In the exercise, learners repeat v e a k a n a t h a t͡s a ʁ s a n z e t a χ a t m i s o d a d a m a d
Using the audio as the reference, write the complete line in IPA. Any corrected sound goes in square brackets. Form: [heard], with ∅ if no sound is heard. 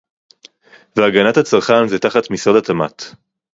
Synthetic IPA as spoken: v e a [ɡ] a n a t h a t͡s a ʁ [χ] a n z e t a χ a t m i s o d a [t] a m a [t]